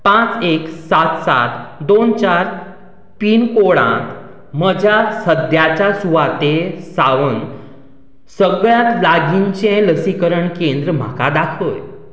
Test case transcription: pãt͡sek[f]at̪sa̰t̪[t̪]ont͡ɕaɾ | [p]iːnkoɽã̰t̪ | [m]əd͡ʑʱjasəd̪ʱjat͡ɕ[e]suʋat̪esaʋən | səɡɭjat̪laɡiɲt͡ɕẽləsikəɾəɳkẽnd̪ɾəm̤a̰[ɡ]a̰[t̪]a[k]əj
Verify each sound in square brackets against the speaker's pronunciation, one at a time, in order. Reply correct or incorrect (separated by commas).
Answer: incorrect, incorrect, correct, correct, incorrect, incorrect, incorrect, incorrect